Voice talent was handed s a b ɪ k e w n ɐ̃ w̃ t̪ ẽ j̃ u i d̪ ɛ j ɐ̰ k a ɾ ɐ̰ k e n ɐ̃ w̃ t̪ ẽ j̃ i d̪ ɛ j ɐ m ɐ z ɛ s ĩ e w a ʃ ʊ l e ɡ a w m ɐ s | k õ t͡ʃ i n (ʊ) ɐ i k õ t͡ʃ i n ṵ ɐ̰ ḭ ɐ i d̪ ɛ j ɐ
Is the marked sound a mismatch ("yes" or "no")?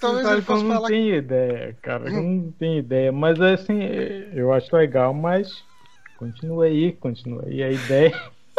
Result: yes